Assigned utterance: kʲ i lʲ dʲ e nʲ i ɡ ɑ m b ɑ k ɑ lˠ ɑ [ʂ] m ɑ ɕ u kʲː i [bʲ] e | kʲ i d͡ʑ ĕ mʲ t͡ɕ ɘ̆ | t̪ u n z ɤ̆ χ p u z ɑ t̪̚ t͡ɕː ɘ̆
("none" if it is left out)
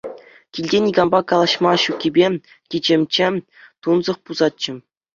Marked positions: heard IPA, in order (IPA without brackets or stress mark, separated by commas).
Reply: ɕ, bʲ